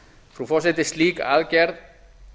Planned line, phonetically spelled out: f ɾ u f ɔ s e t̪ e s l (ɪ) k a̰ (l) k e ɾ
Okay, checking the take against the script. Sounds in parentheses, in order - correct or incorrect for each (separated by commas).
incorrect, correct